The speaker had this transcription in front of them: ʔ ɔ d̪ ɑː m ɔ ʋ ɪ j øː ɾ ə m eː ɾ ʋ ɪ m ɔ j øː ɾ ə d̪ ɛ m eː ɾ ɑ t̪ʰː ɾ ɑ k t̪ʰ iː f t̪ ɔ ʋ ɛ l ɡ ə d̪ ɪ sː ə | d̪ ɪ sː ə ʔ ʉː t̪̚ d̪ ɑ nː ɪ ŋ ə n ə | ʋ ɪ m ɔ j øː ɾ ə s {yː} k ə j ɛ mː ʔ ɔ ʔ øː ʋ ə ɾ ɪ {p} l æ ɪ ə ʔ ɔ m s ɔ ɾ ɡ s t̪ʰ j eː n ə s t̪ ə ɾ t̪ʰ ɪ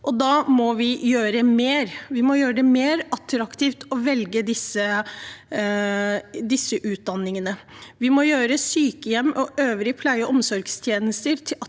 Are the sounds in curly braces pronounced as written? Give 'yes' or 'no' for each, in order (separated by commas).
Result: yes, no